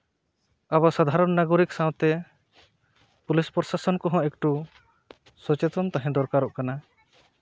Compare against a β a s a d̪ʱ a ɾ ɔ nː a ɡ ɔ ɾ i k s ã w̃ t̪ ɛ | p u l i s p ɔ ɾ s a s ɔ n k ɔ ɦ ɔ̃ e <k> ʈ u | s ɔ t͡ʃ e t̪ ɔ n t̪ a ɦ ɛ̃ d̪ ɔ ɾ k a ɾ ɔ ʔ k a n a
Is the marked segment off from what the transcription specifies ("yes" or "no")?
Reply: no